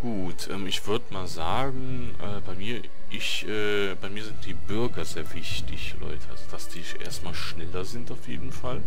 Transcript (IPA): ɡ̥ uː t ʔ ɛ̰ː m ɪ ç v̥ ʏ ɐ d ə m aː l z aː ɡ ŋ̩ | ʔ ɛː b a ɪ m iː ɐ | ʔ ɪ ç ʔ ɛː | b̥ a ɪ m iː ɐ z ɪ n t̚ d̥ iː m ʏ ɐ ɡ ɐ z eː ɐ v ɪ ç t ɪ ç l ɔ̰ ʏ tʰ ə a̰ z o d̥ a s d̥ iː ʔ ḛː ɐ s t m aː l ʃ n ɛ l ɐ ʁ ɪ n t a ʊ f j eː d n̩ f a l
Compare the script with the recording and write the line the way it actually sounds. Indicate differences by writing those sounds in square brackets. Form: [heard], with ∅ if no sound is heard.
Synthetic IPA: ɡ̥ uː t ʔ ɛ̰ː m ɪ ç v̥ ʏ ɐ d ə m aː l z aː ɡ ŋ̩ | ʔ ɛː b a ɪ m iː ɐ | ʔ ɪ ç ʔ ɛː | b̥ a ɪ m iː ɐ z ɪ n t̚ d̥ iː [b] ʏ ɐ ɡ ɐ z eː ɐ v ɪ ç t ɪ ç l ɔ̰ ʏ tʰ ə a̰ z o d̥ a s d̥ iː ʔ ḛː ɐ s t m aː l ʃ n ɛ l ɐ [z] ɪ n t a ʊ f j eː d n̩ f a l